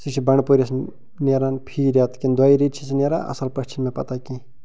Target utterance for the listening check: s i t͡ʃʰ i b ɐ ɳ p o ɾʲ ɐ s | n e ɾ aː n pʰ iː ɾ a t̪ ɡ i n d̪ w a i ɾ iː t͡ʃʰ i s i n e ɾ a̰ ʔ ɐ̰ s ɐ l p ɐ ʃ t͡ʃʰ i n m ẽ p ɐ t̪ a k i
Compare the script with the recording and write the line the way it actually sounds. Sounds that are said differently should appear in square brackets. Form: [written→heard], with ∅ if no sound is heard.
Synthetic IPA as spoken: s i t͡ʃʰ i b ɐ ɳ p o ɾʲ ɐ s | n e ɾ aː n pʰ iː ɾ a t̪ [ɡ→k] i n d̪ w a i ɾ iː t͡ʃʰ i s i n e ɾ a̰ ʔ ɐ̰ s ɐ l p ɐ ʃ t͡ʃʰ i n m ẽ p ɐ t̪ a k i